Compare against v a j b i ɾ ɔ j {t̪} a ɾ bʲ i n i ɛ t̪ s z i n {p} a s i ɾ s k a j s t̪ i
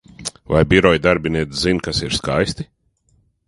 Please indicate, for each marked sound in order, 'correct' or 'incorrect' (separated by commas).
incorrect, incorrect